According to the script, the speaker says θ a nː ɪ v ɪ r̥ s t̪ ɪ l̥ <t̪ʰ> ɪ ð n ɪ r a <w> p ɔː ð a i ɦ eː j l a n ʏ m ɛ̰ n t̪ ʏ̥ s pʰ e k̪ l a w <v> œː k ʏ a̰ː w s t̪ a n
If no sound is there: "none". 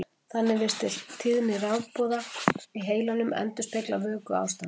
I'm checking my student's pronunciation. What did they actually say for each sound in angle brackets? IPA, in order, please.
t̪ʰ, w, v

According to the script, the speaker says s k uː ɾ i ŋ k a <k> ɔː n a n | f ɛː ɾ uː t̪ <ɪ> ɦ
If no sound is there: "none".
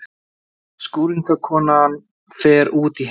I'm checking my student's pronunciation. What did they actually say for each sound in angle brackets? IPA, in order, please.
kʰ, i

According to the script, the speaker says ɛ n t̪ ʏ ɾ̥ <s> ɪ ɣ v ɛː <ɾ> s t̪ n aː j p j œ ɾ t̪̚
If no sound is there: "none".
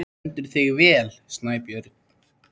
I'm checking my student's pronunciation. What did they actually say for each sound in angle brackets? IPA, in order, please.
θ, l

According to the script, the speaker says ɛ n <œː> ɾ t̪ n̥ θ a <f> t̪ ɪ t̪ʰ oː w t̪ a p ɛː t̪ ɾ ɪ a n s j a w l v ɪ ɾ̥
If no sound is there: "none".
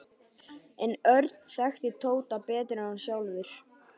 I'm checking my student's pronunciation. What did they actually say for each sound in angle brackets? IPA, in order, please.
œ, x

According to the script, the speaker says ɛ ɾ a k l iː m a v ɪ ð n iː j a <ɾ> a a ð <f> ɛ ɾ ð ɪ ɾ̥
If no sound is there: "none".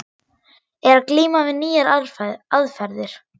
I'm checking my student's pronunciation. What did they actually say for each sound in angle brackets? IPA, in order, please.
ɾ, f

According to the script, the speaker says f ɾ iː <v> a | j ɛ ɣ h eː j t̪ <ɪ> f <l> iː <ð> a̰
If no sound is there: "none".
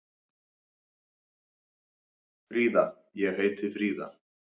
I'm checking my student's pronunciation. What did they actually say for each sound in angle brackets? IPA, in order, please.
ð, ɪ, ɾ, ð

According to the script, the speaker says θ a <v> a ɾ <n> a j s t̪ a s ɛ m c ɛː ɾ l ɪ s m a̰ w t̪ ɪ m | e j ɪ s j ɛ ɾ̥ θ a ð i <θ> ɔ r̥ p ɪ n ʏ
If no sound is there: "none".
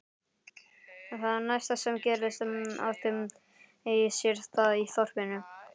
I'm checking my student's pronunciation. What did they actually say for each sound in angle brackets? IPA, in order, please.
ð, n, θ

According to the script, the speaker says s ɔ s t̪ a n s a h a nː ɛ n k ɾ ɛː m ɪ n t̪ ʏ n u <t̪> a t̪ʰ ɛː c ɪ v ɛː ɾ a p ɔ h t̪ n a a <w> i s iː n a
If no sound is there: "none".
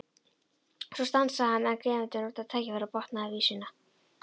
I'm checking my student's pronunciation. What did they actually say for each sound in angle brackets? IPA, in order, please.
t̪, v

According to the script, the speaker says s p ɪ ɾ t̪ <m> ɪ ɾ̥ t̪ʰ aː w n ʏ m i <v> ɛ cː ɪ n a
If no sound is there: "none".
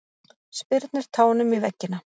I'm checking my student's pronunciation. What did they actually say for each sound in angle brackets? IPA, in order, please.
n, v

